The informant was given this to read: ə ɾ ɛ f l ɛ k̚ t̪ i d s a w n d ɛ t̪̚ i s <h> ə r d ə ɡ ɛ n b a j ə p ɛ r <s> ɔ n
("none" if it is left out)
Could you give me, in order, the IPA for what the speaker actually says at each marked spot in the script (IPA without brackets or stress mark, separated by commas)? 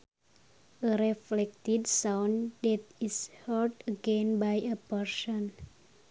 h, s